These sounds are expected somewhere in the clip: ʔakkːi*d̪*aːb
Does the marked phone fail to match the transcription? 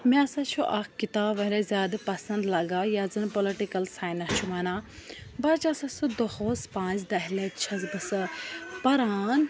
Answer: yes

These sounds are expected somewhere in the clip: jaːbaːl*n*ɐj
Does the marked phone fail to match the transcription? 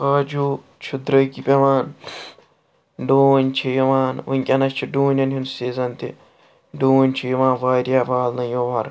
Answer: no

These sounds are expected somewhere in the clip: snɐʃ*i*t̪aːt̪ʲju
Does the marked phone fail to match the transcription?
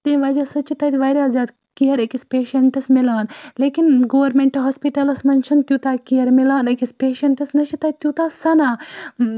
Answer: no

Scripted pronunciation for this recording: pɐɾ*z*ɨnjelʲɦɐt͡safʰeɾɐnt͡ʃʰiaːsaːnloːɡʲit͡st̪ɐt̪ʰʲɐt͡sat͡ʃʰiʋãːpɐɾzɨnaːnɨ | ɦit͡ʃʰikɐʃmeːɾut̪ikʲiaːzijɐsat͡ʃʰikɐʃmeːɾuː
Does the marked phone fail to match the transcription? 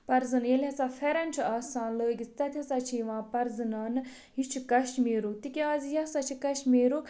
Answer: no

